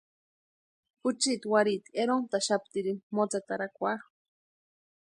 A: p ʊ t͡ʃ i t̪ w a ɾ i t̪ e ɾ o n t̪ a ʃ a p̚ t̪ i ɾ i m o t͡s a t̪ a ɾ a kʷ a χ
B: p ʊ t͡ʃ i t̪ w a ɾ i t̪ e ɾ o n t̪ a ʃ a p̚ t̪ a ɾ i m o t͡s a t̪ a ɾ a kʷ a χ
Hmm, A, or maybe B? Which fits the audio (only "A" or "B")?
A